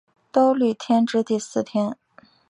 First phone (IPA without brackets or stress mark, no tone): t̪